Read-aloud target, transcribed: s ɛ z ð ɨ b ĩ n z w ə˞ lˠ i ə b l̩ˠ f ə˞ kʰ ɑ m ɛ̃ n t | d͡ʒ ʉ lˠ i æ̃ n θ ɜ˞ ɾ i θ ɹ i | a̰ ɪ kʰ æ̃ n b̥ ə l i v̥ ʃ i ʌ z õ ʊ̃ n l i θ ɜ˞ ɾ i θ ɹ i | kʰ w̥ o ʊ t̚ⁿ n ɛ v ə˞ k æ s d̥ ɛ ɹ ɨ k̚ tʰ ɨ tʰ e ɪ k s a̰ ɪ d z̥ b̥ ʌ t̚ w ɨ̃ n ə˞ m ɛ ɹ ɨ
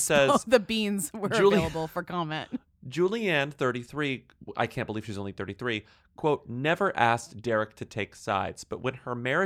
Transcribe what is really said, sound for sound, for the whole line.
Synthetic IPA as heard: s ɛ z ð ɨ b ĩ n z w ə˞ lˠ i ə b l̩ˠ f ə˞ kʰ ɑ m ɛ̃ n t | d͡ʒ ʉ lˠ i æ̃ n θ ɜ˞ ɾ i θ ɹ i | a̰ ɪ kʰ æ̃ n b̥ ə l i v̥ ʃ i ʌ z õ ʊ̃ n l i θ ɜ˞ ɾ i θ ɹ i | kʰ w̥ o ʊ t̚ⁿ n ɛ v ə˞ ʔ æ s d̥ ɛ ɹ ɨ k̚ tʰ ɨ tʰ e ɪ k s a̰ ɪ d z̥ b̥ ʌ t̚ w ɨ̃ n ə˞ m ɛ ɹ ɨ